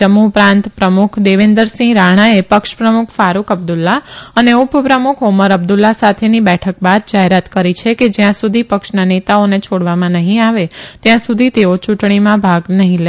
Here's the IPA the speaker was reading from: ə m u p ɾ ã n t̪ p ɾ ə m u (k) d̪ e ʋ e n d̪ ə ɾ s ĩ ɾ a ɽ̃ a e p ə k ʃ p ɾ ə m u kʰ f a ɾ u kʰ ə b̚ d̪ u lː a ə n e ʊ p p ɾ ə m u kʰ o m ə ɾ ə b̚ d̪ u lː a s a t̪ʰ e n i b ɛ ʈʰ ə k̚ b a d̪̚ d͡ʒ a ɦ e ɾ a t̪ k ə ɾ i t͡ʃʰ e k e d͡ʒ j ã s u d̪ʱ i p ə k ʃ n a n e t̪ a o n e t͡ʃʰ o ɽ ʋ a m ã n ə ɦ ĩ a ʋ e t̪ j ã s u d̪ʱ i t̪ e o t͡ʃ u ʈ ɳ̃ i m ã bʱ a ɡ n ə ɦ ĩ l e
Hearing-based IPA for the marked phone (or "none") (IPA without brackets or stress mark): kʰ